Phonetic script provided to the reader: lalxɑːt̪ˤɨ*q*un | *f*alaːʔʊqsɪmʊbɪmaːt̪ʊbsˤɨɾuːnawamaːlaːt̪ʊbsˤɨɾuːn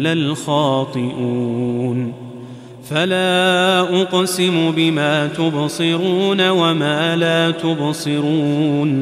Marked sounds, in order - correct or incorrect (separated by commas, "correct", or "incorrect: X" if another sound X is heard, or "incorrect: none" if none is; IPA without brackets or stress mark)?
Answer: incorrect: ʔ, correct